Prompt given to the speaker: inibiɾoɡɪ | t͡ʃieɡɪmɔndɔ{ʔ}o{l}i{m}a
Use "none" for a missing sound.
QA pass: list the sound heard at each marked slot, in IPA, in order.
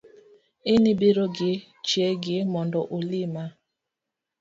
ʔ, l, m

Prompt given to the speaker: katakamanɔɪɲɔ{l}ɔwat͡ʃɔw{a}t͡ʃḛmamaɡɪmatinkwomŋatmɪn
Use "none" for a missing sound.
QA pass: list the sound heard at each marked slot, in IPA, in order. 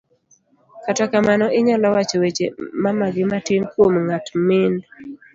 l, e

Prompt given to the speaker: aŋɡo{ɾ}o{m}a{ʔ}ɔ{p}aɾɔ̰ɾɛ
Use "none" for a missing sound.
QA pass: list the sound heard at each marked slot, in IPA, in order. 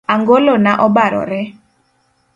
l, n, ʔ, b

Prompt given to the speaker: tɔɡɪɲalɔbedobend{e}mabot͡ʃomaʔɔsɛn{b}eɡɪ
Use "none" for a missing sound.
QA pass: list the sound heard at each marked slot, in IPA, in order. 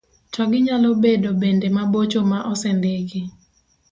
e, d

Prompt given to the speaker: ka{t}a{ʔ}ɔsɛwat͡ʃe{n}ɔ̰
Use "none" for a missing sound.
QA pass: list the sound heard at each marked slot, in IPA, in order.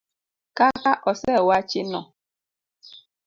k, ʔ, n

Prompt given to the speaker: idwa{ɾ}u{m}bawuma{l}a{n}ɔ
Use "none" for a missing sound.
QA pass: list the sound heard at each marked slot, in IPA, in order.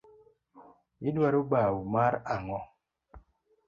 ɾ, none, ɾ, ŋ

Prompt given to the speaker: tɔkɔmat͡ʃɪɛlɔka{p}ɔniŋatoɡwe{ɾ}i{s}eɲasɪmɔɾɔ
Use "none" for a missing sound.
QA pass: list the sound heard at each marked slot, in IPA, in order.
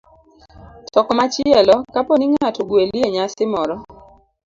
p, l, none

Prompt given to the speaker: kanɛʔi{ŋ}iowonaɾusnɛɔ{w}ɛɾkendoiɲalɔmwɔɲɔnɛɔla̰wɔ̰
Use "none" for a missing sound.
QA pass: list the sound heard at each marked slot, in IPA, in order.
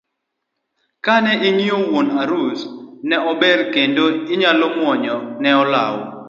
ŋ, b

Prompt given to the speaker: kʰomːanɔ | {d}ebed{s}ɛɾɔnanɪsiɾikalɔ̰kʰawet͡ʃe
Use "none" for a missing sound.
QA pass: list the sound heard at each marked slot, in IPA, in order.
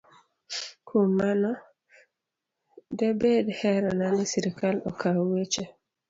d, h

